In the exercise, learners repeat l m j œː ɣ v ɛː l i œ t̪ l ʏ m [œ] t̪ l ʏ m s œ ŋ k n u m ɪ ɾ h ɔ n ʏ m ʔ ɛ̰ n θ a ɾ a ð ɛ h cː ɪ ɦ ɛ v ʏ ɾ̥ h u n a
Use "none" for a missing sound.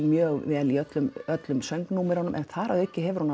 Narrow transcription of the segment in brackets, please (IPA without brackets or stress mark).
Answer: œ